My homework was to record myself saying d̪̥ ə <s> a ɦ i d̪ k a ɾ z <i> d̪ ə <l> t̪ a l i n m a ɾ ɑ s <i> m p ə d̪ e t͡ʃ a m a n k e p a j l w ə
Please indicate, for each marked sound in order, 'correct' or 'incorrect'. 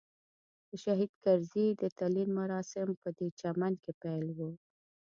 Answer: incorrect: ʃ, correct, incorrect: none, incorrect: ɪ

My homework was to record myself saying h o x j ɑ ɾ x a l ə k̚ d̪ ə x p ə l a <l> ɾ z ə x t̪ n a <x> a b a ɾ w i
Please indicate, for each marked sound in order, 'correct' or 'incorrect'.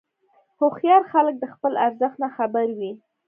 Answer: incorrect: none, correct

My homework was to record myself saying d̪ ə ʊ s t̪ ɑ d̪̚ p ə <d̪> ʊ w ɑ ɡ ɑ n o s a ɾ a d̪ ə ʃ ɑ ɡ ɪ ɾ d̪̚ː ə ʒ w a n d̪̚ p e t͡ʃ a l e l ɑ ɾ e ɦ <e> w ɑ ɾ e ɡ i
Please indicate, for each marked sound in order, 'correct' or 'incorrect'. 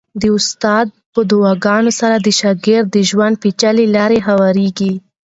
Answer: correct, incorrect: a

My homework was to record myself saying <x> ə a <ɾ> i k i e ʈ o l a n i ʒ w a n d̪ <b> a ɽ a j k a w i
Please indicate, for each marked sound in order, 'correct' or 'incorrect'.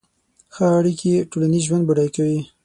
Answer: correct, incorrect: ɽ, correct

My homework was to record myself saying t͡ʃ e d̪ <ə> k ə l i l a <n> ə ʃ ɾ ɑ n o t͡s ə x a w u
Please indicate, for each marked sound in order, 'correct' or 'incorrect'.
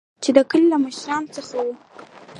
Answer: correct, incorrect: m

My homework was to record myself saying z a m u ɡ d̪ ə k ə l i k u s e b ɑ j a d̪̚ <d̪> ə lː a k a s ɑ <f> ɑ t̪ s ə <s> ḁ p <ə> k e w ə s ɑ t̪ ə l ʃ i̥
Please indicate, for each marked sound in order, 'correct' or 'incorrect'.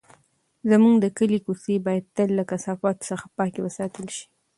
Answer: incorrect: t̪, correct, incorrect: x, incorrect: ɑ

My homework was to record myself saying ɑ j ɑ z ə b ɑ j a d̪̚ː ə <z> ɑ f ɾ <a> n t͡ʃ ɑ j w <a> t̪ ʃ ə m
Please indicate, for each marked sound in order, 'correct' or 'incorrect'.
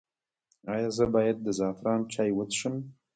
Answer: correct, incorrect: ɑ, incorrect: ə

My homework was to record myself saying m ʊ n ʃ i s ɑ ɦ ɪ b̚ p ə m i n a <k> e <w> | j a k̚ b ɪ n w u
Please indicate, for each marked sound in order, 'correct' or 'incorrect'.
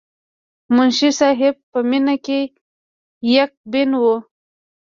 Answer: correct, incorrect: none

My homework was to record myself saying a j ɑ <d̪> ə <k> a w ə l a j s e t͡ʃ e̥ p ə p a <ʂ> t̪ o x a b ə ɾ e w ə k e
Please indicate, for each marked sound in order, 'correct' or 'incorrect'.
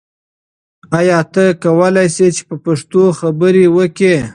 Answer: incorrect: t̪, correct, correct

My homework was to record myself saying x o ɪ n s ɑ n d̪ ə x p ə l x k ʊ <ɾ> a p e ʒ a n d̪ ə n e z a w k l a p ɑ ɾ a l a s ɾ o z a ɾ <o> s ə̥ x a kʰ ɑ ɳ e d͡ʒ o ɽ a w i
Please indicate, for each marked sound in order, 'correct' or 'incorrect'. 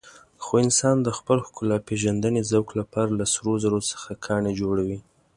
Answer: incorrect: l, correct

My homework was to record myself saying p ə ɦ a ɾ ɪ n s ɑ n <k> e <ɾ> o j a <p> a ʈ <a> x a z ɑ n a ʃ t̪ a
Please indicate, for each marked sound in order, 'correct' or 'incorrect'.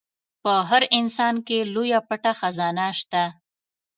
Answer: correct, incorrect: l, correct, correct

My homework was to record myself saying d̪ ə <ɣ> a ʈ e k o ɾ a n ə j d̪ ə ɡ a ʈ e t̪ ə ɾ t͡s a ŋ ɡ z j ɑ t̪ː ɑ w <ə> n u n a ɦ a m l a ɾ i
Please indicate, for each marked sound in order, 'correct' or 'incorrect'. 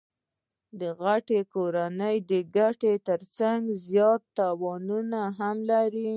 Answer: correct, incorrect: ɑ

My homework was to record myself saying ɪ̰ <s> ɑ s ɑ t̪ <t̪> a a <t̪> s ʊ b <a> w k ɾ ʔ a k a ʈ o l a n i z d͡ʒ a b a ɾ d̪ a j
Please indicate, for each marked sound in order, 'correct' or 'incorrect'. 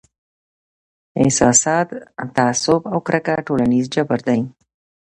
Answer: correct, correct, incorrect: none, correct

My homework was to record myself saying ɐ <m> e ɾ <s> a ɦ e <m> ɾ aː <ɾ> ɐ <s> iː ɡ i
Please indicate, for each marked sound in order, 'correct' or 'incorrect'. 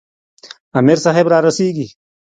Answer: correct, correct, incorrect: b, correct, correct

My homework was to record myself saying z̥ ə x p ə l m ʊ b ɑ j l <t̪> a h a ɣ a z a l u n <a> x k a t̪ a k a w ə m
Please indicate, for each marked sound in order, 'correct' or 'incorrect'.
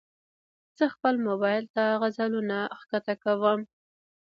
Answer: correct, correct

